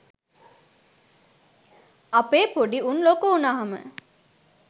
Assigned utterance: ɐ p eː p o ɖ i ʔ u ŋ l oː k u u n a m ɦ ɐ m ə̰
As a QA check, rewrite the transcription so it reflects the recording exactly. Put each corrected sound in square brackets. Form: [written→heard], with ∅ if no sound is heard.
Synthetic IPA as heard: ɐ p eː p o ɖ i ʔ u [ŋ→n] l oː k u u n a [m→∅] ɦ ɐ m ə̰